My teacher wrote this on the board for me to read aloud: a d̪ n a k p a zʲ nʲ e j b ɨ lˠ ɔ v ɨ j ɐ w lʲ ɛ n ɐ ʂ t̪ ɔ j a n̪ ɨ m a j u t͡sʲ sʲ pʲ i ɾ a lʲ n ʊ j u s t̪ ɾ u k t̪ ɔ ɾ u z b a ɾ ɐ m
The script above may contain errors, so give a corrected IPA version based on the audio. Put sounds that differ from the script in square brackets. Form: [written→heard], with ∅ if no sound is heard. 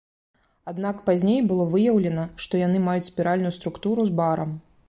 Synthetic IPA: a d̪ n a k p a zʲ nʲ e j b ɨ lˠ ɔ v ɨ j ɐ w lʲ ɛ n ɐ ʂ t̪ ɔ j a n̪ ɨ m a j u t͡sʲ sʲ pʲ i ɾ a lʲ n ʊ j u s t̪ ɾ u k t̪ [ɔ→u] ɾ u z b a ɾ ɐ m